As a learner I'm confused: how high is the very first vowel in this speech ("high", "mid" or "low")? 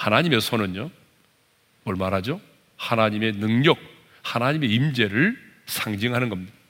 low